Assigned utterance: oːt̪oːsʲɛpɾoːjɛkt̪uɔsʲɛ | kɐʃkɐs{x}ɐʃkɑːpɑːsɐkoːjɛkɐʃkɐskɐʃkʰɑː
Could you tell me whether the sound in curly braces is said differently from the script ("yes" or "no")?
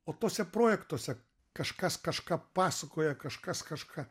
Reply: yes